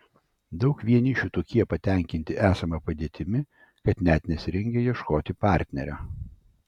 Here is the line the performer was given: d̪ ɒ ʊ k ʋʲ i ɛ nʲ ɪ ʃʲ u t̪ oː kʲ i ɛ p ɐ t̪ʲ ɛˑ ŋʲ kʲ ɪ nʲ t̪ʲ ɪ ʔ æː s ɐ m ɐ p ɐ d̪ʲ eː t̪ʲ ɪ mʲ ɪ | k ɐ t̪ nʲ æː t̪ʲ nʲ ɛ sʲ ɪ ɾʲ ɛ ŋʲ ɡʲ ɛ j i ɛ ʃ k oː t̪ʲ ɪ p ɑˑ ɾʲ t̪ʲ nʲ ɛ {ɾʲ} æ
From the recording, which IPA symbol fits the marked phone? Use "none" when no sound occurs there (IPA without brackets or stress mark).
ɾʲ